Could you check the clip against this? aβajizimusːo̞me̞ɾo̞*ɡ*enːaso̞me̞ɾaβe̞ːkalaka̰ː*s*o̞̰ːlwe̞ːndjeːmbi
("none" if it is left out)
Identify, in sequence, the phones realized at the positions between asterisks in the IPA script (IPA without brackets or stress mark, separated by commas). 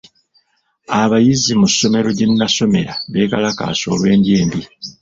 ɟ, s